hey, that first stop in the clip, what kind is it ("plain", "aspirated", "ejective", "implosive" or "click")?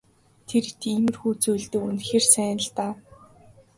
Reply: aspirated